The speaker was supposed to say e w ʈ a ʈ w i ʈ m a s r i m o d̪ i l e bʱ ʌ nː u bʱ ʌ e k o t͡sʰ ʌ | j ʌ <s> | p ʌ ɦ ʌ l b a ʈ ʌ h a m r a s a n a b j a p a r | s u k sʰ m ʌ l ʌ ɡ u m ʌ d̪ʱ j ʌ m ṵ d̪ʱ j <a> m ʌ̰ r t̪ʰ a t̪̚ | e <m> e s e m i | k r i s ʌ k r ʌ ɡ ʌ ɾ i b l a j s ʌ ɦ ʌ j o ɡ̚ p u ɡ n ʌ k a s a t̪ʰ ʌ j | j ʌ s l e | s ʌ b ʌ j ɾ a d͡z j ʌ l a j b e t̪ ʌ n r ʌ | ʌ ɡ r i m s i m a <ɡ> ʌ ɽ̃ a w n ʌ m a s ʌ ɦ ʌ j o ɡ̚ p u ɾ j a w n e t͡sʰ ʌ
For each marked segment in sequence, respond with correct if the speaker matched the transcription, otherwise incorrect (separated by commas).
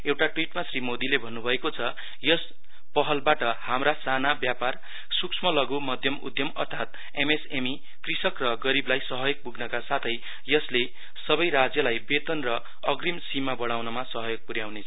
correct, incorrect, correct, incorrect